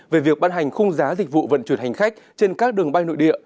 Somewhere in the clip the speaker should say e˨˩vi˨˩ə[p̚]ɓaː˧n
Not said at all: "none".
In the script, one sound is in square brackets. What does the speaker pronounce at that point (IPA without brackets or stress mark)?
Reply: k̚